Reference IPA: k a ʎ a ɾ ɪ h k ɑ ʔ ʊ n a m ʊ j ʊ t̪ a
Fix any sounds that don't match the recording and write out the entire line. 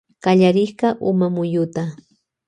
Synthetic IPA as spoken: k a ʎ a ɾ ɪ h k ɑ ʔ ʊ m a m ʊ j ʊ t̪ a